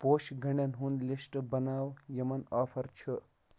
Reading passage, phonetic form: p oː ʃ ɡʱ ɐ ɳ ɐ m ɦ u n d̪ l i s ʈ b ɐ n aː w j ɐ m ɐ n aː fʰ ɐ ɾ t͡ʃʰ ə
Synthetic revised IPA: p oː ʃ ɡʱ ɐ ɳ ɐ n ɦ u n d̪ l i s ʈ b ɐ n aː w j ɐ m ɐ n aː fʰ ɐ ɾ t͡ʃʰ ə